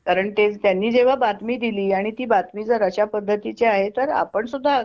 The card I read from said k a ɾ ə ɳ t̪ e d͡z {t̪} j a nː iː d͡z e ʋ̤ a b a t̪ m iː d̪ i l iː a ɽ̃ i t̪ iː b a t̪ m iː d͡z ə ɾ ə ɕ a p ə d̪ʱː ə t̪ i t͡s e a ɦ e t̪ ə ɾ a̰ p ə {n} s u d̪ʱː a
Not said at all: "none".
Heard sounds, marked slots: t̪, ɳ

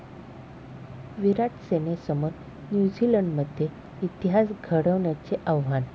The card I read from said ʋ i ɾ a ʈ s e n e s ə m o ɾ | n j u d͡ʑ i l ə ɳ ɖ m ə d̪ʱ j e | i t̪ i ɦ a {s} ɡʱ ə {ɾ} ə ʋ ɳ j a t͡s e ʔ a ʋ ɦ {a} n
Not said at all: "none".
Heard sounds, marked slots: s, ɽ, a

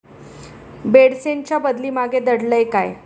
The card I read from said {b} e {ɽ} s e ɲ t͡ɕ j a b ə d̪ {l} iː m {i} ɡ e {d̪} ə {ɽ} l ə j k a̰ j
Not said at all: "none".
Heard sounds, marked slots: b, ɽ, l, a, d̪, ɽ

